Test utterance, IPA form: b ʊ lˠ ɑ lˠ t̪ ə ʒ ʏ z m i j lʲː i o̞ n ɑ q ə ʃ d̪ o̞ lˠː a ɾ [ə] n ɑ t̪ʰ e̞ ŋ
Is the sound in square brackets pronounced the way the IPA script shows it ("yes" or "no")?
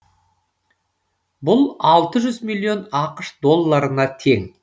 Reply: yes